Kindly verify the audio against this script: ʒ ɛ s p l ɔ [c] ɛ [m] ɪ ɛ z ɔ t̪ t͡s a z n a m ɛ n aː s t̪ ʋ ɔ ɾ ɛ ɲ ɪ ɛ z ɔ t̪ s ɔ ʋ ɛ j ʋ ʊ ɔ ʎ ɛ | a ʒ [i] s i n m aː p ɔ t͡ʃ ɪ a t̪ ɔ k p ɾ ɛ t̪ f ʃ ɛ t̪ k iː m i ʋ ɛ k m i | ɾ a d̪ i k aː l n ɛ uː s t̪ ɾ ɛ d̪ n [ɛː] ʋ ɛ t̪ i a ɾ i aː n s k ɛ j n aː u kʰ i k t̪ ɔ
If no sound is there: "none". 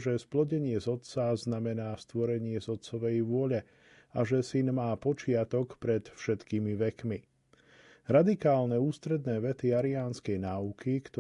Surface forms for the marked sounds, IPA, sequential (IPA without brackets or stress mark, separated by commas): ɟ, ɲ, ɛ, ɛː